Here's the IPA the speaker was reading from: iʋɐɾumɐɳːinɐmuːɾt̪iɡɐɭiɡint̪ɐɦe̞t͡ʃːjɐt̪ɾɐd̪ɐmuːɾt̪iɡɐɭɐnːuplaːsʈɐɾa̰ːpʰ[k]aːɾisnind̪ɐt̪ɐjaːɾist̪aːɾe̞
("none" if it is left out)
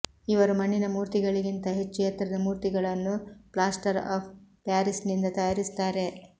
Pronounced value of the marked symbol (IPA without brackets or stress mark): p